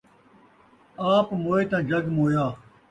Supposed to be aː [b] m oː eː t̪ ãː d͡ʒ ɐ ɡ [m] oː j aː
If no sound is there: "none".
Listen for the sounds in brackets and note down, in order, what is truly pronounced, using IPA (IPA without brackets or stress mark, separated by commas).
p, m